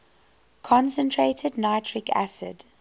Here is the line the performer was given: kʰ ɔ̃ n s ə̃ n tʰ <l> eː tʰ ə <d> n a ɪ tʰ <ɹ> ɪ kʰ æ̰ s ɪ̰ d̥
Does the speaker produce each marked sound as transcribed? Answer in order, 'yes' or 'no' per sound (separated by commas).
no, yes, yes